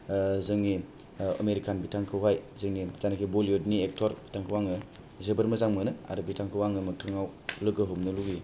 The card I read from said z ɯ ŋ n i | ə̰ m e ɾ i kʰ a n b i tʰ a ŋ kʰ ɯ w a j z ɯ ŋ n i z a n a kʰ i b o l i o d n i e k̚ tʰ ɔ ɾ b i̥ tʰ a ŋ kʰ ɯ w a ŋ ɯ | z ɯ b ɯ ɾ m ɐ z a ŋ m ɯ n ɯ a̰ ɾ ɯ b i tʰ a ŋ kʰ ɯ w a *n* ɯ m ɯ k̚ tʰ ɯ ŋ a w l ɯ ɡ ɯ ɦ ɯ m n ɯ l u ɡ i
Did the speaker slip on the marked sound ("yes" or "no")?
yes